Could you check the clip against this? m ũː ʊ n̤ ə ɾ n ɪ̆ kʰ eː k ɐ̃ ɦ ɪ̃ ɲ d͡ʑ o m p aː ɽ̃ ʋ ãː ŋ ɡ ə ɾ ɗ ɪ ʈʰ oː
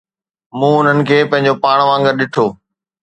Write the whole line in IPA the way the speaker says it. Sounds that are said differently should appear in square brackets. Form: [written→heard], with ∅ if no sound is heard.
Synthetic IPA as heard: m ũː ʊ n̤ ə [ɾ→∅] n ɪ̆ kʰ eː [k→p] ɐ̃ ɦ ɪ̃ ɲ d͡ʑ o [m→∅] p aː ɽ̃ ʋ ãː ŋ ɡ ə ɾ ɗ ɪ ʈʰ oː